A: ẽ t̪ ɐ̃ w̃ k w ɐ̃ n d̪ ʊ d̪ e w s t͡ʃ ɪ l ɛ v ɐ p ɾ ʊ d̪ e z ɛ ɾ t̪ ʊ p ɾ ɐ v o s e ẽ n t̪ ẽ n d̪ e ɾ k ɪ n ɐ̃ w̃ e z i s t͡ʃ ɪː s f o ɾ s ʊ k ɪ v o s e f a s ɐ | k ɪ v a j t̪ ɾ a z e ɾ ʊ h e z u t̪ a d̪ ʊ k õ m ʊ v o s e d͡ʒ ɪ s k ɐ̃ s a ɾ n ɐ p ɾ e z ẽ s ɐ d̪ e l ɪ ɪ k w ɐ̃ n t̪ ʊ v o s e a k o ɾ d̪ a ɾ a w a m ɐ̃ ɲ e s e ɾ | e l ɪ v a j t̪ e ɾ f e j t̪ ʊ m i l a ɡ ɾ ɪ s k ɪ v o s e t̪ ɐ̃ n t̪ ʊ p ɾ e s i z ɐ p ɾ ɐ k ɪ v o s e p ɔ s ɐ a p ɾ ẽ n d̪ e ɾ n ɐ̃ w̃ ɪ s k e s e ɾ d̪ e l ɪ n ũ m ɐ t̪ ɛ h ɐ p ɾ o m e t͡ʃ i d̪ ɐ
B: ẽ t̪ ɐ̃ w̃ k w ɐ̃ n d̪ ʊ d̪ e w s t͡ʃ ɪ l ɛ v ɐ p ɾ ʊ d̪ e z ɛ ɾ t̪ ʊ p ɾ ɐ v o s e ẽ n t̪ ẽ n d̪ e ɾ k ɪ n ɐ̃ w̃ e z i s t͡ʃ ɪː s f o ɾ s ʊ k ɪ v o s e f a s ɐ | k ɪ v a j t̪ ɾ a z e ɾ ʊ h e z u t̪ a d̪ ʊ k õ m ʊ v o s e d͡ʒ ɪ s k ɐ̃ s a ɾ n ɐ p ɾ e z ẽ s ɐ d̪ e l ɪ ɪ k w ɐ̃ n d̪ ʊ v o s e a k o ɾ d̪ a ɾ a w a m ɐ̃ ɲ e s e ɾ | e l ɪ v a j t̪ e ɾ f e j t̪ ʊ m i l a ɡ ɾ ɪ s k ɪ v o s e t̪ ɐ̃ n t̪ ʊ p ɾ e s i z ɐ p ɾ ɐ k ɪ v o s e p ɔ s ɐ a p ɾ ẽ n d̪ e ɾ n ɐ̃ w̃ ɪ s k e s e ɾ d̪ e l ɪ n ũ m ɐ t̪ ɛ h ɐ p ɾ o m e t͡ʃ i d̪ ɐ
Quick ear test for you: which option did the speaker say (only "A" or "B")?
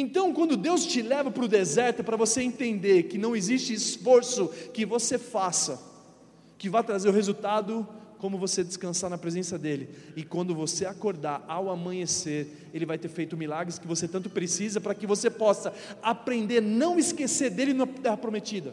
B